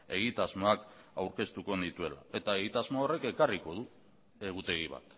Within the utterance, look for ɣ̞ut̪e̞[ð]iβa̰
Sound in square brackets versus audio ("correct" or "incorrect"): incorrect